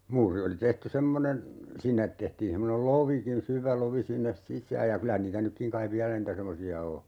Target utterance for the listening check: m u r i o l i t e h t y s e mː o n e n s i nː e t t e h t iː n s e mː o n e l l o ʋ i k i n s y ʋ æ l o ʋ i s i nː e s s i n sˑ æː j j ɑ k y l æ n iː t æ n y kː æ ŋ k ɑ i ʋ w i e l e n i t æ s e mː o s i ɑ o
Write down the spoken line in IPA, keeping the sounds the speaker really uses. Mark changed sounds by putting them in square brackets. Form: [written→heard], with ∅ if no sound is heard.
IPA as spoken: m [u→uː] r i o l i t e h t y s e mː o n e n s i nː e t t e h t iː n s e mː o n e l l o ʋ i k i n s y ʋ æ l o ʋ i s i nː e s s i [n→∅] sˑ æː j j ɑ k y l æ n iː t æ n y kː [æ→i] ŋ k ɑ i ʋ [w→ʋ] i [e→æ] l [e→æ] n [i→iː] t æ s e mː o s i ɑ o

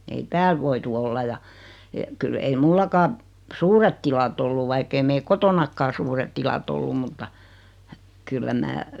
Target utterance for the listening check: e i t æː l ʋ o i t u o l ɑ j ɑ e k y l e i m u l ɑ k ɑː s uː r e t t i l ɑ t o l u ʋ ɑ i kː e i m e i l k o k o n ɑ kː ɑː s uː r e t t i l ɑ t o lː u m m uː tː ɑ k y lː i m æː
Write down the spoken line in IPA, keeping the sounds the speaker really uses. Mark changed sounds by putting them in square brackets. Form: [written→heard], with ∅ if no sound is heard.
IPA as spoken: e i t æː l ʋ o i t u o [l→lː] ɑ j ɑ e k y l e i m u [l→lː] ɑ k ɑː s uː r e t t i l ɑ t o [l→lː] u ʋ ɑ i kː e i m e i l k o [k→t] o n ɑ kː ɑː s uː r e t t i l ɑ t o lː u m m [uː→u] tː ɑ k y lː [i→æ] m æː

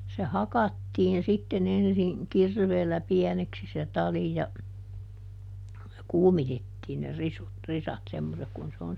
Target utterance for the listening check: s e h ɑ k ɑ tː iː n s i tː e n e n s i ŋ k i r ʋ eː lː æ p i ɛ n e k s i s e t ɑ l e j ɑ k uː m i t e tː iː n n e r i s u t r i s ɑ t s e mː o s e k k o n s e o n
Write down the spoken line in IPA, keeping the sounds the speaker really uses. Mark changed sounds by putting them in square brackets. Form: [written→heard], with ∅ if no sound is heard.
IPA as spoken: s e h ɑ k ɑ tː iː n s i tː e n e n s i ŋ k i r ʋ eː lː æ p i ɛ n e k s i s e t ɑ l [e→i] j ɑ k uː m i t e tː iː n n e r i s u t r i s ɑ t s e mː o s e k k [o→u] n s e o n

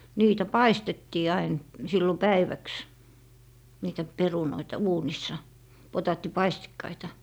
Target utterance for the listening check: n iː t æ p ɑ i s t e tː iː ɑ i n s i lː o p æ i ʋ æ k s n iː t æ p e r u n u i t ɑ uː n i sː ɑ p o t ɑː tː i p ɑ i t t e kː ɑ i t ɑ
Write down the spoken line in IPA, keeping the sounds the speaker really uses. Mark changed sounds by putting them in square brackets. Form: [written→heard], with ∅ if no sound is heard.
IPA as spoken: n iː t æ p ɑ i s t e tː iː ɑ i n s i lː o p æ i ʋ æ k s n iː t æ p e r u n [u→o] i t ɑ uː n i sː ɑ p o t ɑː tː i p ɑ i [t→s] t [e→i] kː ɑ i t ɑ

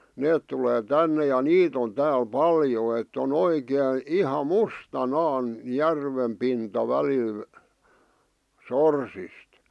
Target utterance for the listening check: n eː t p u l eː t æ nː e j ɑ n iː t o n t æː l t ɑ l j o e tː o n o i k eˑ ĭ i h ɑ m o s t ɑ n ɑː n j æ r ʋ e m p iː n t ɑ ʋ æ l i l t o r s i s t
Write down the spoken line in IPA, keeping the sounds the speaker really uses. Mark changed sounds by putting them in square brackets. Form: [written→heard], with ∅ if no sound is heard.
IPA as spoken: n eː t [p→t] u l eː t æ nː e j ɑ n iː t o n t æː l [t→p] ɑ l j o e tː o n o i k eˑ ĭ i h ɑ m [o→u] s t ɑ n ɑː n j æ r ʋ e m p [iː→i] n t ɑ ʋ æ l i l [t→s] o r s i s t

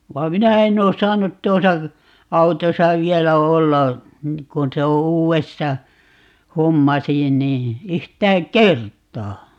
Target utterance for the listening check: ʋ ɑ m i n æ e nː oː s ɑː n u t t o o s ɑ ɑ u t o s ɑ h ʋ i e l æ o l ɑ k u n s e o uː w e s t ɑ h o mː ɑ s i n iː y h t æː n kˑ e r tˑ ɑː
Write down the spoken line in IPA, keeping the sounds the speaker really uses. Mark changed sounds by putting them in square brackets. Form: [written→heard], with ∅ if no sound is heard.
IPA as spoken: ʋ ɑ m i n æ e nː oː s ɑː n u t t [o→u] o s ɑ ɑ u t o s ɑ [h→∅] ʋ i e l æ o [l→lː] ɑ k u n s e o uː w e s t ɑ h o mː ɑ s i n iː y h t æː [n→ŋ] kˑ e r tˑ ɑː

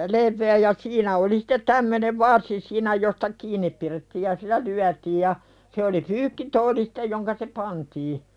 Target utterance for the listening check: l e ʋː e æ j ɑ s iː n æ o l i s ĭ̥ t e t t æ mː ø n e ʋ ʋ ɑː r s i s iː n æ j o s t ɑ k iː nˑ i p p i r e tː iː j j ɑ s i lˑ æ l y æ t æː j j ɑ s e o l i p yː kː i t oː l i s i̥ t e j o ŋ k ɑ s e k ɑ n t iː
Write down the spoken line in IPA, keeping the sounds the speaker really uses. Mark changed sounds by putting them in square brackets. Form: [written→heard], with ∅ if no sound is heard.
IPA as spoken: l e ʋː e æ j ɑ s iː n æ o l i s ĭ̥ t e t t æ mː ø n e ʋ ʋ [ɑː→ɑ] r s i s iː n æ j o s t ɑ k iː nˑ i p p i r e tː iː j j ɑ s i lˑ æ l y æ t [æː→iː] j j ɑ s e o l i p yː kː i t oː l i s i̥ t e j o ŋ k ɑ s e [k→p] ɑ n t iː

